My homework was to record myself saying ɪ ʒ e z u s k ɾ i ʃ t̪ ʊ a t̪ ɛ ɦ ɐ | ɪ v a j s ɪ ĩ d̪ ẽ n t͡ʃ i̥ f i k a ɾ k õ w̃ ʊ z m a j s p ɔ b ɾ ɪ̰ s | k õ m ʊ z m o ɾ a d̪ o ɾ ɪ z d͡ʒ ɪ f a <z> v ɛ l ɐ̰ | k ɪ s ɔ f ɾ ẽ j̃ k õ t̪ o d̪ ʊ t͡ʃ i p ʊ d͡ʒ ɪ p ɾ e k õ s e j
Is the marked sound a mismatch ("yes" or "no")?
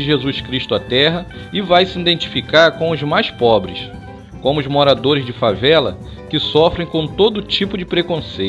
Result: yes